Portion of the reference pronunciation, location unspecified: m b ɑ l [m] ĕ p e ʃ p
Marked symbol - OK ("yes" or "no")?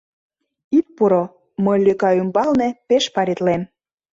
no